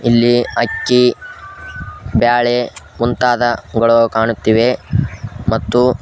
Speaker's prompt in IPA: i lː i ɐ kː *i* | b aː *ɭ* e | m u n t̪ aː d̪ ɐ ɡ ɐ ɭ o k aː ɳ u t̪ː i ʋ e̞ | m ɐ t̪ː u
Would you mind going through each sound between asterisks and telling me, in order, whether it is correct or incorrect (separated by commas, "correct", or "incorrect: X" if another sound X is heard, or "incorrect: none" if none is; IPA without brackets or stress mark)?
correct, correct